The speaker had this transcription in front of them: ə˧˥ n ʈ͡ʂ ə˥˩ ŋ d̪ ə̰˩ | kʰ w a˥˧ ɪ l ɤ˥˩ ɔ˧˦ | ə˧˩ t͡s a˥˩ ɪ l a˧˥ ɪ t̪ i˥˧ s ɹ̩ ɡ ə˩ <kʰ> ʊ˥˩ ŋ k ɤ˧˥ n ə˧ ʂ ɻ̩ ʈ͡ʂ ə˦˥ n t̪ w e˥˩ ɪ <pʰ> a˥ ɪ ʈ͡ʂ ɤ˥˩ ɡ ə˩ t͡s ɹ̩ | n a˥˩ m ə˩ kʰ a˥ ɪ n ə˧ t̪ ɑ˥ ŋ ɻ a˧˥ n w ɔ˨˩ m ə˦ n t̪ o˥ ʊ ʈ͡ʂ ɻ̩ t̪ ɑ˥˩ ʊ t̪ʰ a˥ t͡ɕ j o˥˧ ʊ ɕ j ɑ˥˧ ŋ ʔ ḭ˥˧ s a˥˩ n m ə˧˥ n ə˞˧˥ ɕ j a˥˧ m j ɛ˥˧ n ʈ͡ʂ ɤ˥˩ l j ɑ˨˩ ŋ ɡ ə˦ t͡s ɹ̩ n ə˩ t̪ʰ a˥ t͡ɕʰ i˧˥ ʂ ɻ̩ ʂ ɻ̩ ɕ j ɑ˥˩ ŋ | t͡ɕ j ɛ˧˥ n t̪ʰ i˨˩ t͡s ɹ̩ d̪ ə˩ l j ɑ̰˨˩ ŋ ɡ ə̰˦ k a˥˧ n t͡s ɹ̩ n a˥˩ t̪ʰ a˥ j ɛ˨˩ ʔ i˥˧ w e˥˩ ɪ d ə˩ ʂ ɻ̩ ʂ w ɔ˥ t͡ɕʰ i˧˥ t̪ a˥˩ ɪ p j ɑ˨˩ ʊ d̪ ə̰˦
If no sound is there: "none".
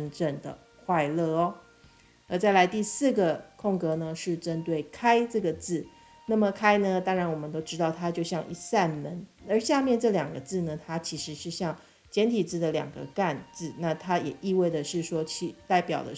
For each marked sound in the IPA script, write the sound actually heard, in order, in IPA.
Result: kʰ, kʰ

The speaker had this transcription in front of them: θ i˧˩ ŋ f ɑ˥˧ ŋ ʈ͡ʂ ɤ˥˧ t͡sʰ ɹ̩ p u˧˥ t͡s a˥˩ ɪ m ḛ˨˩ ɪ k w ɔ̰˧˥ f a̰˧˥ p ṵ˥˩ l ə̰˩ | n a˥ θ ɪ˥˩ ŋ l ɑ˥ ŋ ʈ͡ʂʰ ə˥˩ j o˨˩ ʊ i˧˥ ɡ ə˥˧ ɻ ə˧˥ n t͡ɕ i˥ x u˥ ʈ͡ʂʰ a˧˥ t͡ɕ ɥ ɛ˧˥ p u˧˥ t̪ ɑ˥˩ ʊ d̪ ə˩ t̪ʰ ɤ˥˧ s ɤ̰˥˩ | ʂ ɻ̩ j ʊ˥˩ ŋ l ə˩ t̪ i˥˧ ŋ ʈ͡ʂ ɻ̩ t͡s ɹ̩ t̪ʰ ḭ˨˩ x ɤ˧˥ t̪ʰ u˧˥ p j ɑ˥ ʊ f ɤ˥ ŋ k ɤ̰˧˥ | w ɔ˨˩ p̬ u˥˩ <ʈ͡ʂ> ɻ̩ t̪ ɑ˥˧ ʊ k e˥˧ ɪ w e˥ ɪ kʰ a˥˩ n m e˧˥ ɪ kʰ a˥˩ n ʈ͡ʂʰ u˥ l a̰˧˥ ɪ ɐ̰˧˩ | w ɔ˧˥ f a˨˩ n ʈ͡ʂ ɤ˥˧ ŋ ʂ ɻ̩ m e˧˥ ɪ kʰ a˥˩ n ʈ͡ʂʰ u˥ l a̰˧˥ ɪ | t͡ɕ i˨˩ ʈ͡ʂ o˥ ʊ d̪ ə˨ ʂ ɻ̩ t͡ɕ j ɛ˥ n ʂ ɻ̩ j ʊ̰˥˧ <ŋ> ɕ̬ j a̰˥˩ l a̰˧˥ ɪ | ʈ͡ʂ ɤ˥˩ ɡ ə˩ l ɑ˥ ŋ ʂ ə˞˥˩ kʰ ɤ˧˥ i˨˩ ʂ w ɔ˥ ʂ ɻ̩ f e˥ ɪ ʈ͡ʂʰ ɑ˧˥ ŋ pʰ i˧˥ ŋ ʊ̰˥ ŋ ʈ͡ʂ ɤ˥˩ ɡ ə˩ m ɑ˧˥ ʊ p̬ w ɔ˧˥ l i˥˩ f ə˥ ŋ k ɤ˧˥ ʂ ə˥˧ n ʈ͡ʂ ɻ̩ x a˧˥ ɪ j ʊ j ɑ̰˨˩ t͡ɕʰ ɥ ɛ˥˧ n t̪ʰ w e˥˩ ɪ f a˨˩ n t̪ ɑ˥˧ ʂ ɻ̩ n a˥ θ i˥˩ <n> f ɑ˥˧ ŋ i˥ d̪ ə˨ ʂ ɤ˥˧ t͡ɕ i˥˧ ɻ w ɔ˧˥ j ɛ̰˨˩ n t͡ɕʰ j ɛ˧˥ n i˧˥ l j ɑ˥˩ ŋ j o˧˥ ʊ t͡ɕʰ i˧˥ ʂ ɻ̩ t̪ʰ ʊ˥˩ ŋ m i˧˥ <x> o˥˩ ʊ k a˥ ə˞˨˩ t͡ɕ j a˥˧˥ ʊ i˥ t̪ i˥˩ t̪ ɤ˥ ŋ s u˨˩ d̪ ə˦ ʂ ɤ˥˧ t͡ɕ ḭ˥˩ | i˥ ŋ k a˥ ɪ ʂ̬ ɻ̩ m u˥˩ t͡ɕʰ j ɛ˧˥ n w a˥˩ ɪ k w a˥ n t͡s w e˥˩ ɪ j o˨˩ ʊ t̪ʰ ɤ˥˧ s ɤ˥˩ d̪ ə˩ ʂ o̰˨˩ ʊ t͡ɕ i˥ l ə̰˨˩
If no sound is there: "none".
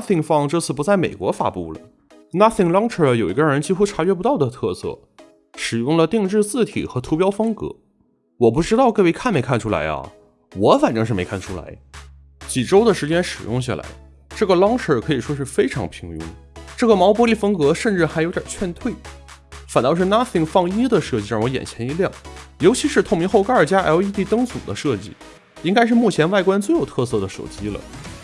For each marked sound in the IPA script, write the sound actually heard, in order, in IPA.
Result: ʈ͡ʂ, ŋ, ŋ, x

